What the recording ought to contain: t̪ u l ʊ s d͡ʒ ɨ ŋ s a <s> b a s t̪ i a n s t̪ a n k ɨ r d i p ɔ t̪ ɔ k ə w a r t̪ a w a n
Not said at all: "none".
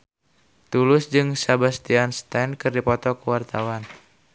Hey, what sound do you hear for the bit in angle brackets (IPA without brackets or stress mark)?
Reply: none